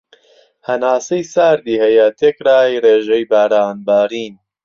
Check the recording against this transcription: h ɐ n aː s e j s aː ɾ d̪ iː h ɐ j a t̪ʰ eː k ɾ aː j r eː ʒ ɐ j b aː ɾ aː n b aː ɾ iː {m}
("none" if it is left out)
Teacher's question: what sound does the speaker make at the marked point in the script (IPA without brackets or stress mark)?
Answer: n